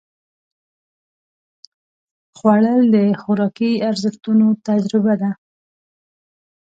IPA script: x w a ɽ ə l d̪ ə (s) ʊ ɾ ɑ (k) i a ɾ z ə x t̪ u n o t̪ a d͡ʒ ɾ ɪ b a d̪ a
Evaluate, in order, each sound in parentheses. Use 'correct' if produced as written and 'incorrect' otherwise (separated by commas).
incorrect, correct